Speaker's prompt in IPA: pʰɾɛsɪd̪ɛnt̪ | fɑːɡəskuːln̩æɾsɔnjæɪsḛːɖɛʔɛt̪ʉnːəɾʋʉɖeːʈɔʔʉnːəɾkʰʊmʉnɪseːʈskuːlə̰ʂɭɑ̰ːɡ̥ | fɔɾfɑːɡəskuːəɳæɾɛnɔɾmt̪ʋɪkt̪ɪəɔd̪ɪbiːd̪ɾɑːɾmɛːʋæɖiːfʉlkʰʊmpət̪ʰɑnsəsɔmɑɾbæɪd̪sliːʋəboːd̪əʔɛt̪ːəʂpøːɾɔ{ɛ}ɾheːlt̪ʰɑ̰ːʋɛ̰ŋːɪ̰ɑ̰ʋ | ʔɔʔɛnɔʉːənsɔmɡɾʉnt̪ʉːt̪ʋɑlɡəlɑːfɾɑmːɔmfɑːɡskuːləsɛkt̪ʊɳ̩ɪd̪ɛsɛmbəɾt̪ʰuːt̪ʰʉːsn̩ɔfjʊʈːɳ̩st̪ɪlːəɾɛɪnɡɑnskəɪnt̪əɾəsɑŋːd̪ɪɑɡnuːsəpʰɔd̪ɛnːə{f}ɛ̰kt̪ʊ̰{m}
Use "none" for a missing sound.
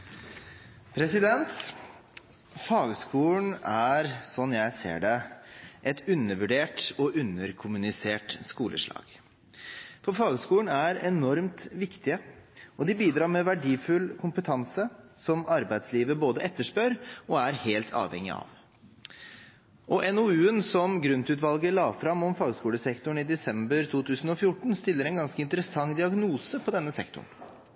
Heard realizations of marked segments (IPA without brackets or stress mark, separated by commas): æ, s, ɳ